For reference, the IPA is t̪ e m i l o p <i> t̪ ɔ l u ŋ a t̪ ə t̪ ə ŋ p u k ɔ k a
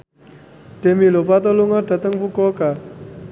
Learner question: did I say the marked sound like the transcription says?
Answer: no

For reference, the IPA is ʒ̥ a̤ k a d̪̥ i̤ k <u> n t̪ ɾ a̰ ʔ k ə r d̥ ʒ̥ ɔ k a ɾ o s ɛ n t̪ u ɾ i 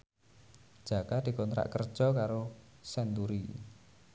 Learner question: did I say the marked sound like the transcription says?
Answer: no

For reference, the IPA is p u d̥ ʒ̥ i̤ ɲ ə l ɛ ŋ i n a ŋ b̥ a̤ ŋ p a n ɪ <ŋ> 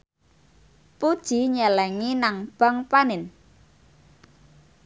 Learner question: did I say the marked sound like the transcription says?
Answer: no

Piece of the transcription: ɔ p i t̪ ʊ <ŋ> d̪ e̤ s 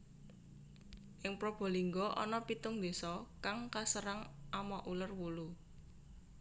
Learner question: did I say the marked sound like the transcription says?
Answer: yes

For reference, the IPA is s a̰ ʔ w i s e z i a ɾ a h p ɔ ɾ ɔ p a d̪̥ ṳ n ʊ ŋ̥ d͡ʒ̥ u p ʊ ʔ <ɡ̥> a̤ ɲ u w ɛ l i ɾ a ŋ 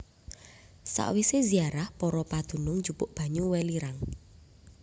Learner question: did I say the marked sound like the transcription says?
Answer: no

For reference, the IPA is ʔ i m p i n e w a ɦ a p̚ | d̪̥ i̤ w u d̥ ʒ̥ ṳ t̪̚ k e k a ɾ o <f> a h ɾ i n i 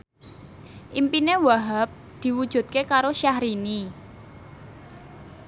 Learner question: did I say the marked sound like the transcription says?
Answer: no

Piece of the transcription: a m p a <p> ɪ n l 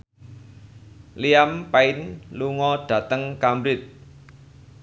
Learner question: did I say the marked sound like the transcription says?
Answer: no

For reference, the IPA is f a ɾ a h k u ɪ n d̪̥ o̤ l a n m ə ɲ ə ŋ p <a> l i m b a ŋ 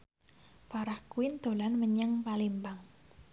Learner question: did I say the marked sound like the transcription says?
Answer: yes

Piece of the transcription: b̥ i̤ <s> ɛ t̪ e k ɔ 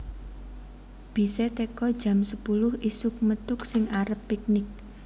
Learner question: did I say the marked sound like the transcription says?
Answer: yes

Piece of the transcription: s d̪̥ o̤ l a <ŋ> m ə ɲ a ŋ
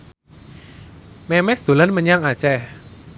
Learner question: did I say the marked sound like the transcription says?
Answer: no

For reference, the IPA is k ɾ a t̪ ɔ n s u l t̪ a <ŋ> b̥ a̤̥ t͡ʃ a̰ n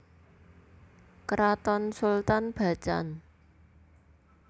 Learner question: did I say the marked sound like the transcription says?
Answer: no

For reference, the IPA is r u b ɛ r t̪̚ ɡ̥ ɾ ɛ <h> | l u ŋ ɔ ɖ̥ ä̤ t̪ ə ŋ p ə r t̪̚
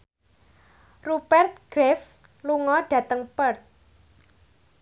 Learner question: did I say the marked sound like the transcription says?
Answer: no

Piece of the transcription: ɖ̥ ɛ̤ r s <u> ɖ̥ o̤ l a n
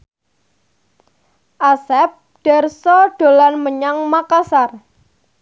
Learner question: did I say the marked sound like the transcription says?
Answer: no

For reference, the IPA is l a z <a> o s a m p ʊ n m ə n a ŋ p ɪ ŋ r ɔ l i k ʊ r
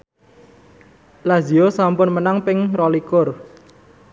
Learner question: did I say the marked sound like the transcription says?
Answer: no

